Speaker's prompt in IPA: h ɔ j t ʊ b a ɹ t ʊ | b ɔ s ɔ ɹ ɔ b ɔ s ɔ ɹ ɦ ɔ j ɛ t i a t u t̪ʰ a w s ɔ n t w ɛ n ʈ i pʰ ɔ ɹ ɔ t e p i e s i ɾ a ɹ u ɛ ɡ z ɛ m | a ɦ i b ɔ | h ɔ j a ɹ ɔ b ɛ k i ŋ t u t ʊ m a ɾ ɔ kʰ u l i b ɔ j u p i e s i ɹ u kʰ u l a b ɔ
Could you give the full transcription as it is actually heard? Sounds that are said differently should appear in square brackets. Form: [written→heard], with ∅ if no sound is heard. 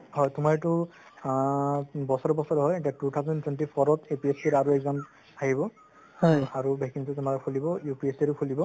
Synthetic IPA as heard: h ɔ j t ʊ [b→m] a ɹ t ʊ | b ɔ s ɔ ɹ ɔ b ɔ s ɔ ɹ ɦ ɔ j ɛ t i a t u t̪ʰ a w [s→z] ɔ n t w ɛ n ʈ i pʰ ɔ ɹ ɔ t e p i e s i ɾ a ɹ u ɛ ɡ z [ɛ→a] m | a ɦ i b ɔ | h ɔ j a ɹ [ɔ→u] b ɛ k i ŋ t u t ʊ m a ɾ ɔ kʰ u l i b ɔ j u p i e s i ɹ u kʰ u l [a→i] b ɔ